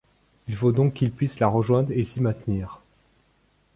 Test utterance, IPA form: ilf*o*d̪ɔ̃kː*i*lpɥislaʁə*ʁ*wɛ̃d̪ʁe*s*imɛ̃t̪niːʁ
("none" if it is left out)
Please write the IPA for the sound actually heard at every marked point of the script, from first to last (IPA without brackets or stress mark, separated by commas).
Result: o, i, ʒ, s